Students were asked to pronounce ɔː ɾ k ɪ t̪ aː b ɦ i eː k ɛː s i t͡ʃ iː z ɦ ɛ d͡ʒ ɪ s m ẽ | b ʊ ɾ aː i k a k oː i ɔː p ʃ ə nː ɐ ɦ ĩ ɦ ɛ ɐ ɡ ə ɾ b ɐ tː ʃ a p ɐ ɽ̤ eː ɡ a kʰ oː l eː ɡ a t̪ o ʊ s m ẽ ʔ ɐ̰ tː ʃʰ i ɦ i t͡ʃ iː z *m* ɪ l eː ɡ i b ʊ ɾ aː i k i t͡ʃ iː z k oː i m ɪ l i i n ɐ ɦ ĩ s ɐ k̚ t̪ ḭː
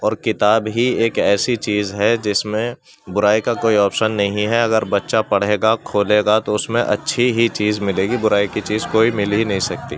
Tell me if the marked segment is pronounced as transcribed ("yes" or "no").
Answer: yes